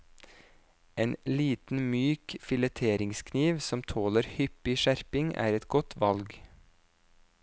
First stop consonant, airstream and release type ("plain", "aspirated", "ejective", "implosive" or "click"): plain